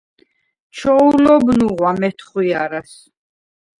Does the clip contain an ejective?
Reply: no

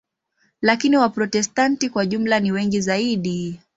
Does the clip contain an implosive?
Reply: yes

